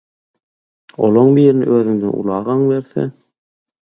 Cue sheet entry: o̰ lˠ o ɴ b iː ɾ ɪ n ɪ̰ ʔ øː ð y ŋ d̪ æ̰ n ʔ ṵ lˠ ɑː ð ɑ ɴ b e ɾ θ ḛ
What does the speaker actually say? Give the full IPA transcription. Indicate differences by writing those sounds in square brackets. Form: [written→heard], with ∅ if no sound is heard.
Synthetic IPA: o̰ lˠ o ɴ b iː ɾ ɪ n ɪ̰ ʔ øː ð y ŋ d̪ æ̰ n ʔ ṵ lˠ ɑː [ð→ʁ] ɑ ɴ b e ɾ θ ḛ